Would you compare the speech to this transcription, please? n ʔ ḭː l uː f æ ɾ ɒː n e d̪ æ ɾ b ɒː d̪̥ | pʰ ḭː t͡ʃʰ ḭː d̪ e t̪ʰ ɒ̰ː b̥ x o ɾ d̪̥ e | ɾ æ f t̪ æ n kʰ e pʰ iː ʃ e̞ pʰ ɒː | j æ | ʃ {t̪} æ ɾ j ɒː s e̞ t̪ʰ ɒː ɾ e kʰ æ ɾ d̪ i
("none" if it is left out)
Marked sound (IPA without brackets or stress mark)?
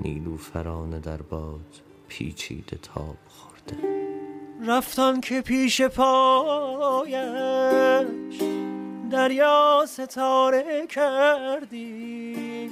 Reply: d̪